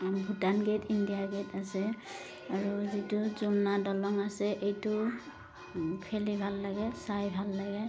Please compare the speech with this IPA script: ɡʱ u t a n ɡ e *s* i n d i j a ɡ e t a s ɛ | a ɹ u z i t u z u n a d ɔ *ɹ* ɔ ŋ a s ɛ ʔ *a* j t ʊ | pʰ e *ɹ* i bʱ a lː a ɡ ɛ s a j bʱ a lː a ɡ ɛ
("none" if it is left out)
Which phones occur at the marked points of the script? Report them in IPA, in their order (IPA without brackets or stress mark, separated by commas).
t, l, e, l